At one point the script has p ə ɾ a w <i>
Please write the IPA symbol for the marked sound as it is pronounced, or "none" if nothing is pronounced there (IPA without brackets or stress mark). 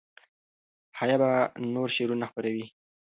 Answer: i